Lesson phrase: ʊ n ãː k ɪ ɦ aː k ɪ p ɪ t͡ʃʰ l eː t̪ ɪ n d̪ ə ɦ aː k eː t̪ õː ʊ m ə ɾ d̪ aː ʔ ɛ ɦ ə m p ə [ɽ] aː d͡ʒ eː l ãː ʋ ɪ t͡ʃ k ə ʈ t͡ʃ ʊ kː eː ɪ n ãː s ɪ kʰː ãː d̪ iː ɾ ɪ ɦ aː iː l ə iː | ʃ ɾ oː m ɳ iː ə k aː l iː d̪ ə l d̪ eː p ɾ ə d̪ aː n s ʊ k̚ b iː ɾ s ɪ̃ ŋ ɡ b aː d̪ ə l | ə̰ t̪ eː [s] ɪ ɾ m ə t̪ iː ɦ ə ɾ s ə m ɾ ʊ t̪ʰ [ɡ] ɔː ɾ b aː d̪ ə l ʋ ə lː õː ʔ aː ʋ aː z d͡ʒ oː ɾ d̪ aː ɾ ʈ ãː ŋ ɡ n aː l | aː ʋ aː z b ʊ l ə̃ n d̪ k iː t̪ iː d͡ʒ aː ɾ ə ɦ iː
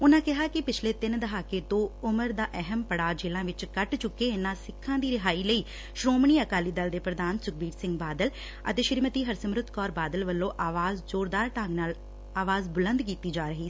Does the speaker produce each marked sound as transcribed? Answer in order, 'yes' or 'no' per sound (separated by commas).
yes, no, no